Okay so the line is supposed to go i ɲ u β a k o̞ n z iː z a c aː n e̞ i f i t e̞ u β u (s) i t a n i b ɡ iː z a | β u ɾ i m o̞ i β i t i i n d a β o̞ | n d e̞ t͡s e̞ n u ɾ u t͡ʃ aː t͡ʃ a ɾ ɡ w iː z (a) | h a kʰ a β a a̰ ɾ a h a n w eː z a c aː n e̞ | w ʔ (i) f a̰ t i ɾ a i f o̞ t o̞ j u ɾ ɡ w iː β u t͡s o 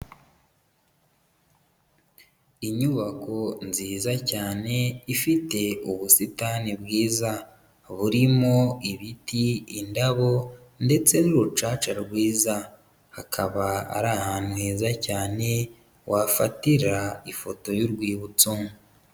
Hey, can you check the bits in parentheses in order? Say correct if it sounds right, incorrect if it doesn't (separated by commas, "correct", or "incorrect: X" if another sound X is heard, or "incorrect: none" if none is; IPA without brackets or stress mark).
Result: correct, correct, incorrect: a